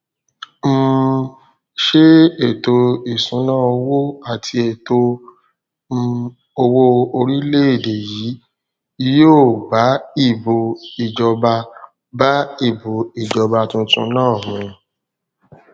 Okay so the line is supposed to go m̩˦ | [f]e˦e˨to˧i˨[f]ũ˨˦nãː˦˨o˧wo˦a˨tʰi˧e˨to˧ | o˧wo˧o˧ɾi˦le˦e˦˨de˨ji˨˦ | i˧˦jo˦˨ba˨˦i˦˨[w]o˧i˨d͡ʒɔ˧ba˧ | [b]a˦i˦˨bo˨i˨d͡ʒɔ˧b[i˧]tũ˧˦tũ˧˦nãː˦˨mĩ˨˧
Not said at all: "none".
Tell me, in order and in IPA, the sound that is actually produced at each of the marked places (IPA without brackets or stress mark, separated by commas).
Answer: ʃ, s, b, b, a˧